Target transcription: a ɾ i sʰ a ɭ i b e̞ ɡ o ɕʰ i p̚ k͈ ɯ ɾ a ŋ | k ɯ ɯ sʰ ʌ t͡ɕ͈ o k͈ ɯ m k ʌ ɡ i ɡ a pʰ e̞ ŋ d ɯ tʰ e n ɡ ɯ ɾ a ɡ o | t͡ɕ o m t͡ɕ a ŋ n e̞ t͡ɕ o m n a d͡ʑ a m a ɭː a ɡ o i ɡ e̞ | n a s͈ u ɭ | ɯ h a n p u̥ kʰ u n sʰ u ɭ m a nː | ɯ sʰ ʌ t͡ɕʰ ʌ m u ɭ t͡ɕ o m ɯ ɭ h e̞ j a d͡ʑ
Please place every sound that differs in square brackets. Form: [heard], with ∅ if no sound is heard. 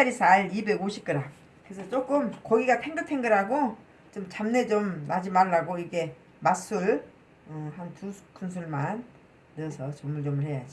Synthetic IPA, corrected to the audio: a ɾ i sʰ a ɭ i b e̞ ɡ o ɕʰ i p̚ k͈ ɯ ɾ a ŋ | k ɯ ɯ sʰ ʌ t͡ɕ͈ o k͈ ɯ m k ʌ ɡ i ɡ a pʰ e̞ ŋ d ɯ tʰ e n ɡ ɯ ɾ a ɡ o | t͡ɕ o m t͡ɕ a [m] n e̞ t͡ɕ o m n a d͡ʑ [i] m a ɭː a ɡ o i ɡ e̞ | [m] a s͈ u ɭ | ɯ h a n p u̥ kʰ u n sʰ u ɭ m a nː | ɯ sʰ ʌ [t͡ɕ] ʌ m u ɭ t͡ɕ o m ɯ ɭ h e̞ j a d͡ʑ

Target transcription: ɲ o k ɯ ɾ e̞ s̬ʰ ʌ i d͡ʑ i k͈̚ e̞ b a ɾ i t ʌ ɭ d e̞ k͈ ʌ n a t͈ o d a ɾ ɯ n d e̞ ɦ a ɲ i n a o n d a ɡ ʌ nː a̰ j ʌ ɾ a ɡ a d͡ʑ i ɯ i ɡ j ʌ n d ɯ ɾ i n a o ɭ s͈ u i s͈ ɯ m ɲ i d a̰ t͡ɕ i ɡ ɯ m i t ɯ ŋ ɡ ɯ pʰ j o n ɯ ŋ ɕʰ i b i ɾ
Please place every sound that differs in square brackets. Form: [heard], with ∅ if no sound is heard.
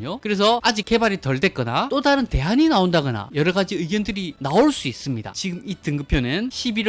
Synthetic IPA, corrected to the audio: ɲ o k ɯ ɾ e̞ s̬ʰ ʌ [a] d͡ʑ i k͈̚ e̞ b a ɾ i t ʌ ɭ d e̞ k͈ ʌ n a t͈ o d a ɾ ɯ n [t] e̞ ɦ a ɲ i n a o n d a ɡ ʌ [n] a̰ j ʌ ɾ [ʌ] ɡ a d͡ʑ i ɯ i ɡ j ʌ n d ɯ ɾ i n a o ɭ s͈ u i s͈ ɯ m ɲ i d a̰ t͡ɕ i ɡ ɯ m i t ɯ ŋ ɡ ɯ pʰ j o n ɯ [n] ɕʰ i b i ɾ

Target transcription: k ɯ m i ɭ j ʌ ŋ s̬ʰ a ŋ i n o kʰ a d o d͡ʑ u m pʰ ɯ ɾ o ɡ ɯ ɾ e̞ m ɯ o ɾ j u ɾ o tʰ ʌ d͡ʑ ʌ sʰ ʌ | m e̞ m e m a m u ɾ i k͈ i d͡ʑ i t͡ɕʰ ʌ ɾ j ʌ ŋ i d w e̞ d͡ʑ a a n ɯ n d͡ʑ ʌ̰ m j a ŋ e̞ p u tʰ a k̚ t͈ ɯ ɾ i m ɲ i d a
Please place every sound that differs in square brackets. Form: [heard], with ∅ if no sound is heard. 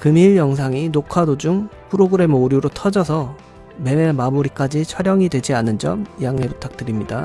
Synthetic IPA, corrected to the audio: k ɯ m i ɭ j ʌ ŋ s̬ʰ a ŋ i n o kʰ a d o d͡ʑ u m pʰ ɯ ɾ o ɡ ɯ ɾ e̞ m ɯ o ɾ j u ɾ o tʰ ʌ d͡ʑ ʌ sʰ ʌ | m e̞ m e m a m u ɾ i k͈ [a] d͡ʑ i t͡ɕʰ ʌ ɾ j ʌ ŋ i d w e̞ d͡ʑ [i] a n ɯ n d͡ʑ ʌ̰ m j a ŋ e̞ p u tʰ a k̚ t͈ ɯ ɾ i m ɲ i d a

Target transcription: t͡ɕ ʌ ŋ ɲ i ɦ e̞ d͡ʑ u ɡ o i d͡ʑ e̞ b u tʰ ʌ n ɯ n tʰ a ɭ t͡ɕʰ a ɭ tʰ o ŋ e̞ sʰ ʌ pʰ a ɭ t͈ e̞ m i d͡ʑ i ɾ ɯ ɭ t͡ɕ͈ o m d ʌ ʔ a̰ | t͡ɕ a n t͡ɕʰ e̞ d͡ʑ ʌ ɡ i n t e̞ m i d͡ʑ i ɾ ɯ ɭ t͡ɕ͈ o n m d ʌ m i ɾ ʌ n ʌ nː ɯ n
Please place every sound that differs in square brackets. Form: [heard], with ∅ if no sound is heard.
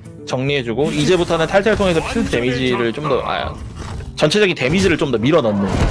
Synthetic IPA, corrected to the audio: t͡ɕ ʌ ŋ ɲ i ɦ e̞ d͡ʑ u ɡ o i d͡ʑ e̞ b u tʰ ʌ n ɯ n tʰ a ɭ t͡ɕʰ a ɭ tʰ o ŋ e̞ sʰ ʌ pʰ [i] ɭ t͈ e̞ m i d͡ʑ i ɾ ɯ ɭ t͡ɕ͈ o m d ʌ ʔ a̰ | t͡ɕ [ʌ] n t͡ɕʰ e̞ d͡ʑ ʌ ɡ i n t e̞ m i d͡ʑ i ɾ ɯ ɭ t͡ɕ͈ o [∅] m d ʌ m i ɾ ʌ n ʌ nː ɯ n

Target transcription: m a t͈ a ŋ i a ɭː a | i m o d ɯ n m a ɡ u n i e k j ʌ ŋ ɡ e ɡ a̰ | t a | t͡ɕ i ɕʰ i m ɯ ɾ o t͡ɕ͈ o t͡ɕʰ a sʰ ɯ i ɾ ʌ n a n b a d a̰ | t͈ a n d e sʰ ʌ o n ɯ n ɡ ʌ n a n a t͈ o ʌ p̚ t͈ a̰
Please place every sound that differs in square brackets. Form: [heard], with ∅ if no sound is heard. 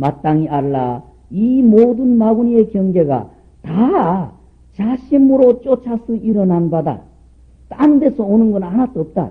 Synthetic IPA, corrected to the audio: m a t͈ a ŋ i a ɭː a | i m o d ɯ n m a ɡ u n i e k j ʌ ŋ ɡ e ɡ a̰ | t a | t͡ɕ [a] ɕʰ i m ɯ ɾ o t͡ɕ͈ o t͡ɕʰ a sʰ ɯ i ɾ ʌ n a n b a d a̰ | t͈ a n d e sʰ ʌ o n ɯ n ɡ ʌ n a n a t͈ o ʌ p̚ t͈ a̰

